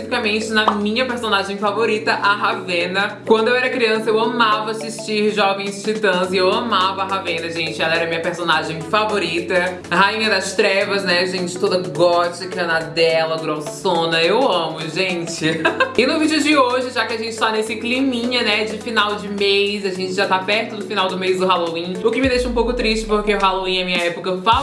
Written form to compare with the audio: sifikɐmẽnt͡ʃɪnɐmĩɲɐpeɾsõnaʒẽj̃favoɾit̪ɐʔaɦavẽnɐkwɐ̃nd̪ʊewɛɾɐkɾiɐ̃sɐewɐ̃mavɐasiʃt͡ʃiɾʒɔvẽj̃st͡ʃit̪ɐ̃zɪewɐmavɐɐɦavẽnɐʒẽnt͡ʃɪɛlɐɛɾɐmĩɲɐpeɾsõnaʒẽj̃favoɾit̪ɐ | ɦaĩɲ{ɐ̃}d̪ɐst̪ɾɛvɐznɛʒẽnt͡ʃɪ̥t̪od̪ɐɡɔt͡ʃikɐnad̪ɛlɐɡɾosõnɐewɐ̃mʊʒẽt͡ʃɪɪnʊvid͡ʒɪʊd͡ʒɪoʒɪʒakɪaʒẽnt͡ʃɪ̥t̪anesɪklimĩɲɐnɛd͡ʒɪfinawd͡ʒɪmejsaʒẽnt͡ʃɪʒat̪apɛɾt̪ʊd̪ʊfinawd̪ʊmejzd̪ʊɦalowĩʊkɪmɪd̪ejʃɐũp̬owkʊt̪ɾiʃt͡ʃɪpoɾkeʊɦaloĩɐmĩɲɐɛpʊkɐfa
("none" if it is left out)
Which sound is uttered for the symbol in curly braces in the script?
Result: ɐ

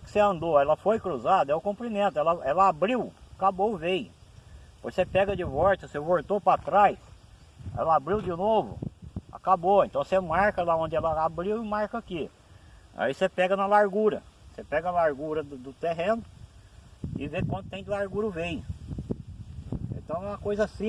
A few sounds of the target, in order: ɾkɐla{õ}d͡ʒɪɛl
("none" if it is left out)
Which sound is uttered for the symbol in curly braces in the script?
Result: õ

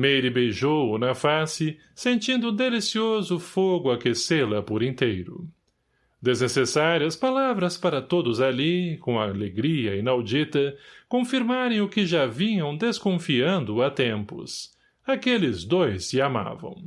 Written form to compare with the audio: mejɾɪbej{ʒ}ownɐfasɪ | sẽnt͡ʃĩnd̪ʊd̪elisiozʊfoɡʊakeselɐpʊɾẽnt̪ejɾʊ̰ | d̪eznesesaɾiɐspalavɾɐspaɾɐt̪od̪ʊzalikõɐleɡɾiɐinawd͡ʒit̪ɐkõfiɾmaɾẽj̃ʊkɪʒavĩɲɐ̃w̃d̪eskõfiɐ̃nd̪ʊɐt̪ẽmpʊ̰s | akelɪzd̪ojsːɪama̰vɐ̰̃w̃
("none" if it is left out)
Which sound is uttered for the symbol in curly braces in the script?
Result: ʒ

